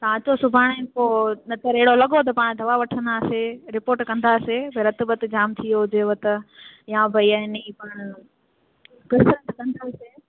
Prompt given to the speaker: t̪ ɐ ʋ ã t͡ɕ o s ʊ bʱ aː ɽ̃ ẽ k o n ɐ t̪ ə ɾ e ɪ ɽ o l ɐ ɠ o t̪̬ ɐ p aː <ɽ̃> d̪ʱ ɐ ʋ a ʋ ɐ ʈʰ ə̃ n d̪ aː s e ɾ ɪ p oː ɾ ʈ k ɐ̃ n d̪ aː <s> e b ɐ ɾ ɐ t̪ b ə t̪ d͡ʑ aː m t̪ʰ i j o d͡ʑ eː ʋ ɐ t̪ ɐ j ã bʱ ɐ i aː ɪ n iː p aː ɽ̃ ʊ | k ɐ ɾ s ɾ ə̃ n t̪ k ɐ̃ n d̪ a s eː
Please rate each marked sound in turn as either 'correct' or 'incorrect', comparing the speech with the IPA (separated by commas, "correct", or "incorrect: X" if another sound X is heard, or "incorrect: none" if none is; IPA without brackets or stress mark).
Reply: correct, correct